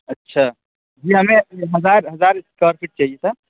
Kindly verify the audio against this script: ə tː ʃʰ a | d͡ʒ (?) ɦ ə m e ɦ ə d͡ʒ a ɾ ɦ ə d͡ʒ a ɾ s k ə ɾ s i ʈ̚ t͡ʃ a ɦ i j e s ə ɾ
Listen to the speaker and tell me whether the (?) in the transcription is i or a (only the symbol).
i